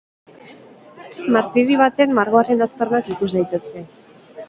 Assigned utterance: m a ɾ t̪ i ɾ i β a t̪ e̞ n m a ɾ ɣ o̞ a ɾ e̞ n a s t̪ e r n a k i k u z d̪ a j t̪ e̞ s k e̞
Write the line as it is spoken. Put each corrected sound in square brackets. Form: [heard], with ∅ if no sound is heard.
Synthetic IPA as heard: m a ɾ t̪ i ɾ i β a t̪ e̞ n m a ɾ ɣ o̞ a ɾ e̞ n a s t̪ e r n a k i k u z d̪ a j t̪ e̞ s k e̞